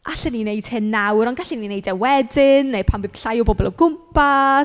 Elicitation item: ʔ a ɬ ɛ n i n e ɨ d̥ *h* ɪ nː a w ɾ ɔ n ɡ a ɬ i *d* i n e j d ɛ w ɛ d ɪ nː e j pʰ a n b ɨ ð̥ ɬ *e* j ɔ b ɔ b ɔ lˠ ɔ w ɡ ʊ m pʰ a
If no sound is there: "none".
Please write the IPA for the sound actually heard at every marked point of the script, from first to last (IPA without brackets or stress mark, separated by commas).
h, n, a